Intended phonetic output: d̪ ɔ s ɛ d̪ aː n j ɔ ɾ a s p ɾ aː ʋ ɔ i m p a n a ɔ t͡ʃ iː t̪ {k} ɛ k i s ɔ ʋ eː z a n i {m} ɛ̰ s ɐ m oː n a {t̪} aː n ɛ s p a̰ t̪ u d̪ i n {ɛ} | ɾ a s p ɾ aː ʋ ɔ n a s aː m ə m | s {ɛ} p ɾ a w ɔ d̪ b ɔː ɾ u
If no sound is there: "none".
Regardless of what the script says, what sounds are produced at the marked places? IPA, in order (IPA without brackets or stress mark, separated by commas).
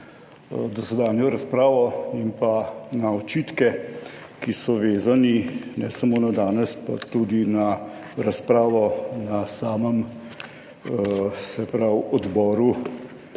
k, n, d̪, a, ɛ